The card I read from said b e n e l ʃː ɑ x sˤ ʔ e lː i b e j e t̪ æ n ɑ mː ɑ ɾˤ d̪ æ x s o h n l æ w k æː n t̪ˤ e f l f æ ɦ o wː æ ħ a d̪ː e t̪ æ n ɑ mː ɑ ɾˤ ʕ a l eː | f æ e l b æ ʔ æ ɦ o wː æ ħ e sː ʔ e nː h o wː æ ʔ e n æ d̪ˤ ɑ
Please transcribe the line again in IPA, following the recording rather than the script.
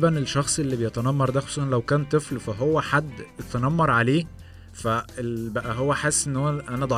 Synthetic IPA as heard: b æ n e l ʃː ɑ x sˤ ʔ e lː i b e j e t̪ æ n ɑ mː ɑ ɾˤ d̪ æ x s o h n l æ w k æː n t̪ˤ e f l f æ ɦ o wː æ ħ a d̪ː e t̪ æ n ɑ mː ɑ ɾˤ ʕ a l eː | f æ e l b æ ʔ æ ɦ o wː æ ħ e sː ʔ e nː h o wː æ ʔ æ n æ d̪ˤ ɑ